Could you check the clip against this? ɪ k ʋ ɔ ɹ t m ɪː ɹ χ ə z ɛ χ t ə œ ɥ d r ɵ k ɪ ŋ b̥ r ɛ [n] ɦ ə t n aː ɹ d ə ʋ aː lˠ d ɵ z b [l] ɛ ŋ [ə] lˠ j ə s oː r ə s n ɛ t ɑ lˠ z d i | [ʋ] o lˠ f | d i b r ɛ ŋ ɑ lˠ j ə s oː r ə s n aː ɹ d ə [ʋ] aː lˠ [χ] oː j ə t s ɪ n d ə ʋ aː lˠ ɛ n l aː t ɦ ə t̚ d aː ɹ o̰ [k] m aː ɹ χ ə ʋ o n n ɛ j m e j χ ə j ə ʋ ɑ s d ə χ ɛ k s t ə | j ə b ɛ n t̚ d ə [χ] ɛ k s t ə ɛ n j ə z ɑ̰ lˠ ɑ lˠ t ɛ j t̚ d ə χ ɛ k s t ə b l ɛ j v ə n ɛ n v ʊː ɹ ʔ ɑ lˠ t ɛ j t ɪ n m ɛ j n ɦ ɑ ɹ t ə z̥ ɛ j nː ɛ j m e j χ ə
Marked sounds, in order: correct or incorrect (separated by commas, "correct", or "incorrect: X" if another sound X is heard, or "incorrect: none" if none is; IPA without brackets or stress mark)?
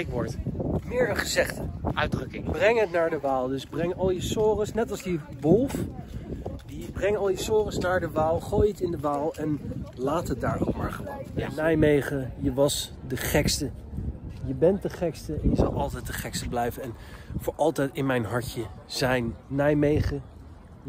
incorrect: ŋ, incorrect: r, incorrect: ɑ, correct, correct, correct, correct, correct